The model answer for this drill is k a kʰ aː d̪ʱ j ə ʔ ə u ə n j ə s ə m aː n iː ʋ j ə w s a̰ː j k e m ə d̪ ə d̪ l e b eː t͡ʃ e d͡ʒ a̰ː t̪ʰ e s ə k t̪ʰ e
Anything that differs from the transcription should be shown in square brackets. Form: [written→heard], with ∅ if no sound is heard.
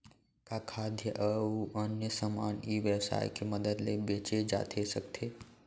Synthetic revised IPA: k a kʰ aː d̪ʱ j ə ʔ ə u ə n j ə s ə m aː n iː ʋ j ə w s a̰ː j k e m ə d̪ ə d̪ l e b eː t͡ʃ e d͡ʒ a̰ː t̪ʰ e s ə k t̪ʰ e